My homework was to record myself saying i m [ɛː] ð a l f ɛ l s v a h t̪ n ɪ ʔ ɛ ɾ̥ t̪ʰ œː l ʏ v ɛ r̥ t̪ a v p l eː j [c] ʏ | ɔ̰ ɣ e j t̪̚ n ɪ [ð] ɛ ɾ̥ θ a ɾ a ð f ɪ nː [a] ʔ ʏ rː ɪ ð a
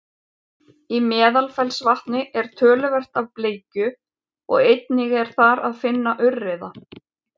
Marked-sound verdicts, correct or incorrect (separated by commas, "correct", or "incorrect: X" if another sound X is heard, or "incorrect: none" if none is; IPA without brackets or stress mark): correct, correct, incorrect: ɣ, correct